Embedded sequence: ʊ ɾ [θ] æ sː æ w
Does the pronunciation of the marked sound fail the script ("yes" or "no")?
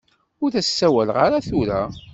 no